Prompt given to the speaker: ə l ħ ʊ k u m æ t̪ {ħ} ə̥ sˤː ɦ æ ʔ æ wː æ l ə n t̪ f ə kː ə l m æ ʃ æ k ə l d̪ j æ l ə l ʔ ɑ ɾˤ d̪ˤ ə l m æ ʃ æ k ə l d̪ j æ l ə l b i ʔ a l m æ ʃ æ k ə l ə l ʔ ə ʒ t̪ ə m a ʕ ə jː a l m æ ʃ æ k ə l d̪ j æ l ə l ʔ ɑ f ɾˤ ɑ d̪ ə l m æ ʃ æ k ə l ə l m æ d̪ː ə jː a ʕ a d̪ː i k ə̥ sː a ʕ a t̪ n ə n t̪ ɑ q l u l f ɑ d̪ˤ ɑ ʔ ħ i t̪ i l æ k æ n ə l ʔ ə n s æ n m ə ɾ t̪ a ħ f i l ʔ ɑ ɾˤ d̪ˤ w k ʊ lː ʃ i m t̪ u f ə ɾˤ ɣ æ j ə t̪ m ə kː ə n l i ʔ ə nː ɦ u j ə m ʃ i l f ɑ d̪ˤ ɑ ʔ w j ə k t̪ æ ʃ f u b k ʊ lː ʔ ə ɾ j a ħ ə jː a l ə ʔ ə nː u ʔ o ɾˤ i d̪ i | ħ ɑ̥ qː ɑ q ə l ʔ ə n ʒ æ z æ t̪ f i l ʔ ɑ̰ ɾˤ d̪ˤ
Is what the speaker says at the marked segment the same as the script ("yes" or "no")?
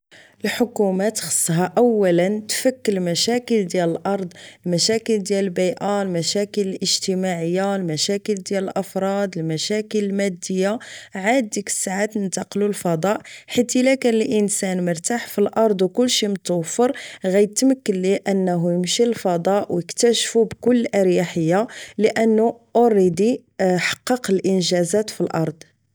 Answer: no